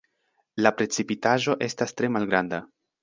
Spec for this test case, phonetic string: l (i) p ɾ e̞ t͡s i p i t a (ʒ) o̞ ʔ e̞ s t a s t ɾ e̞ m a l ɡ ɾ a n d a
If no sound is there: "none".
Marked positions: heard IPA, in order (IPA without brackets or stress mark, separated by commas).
a, ʒ